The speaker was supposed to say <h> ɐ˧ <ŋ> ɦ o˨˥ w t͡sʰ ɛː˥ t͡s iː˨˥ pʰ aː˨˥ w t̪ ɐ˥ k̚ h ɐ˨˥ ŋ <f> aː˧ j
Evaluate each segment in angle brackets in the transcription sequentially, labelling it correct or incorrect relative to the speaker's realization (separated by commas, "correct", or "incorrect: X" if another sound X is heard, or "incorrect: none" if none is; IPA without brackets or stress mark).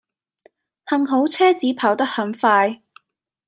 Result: correct, correct, correct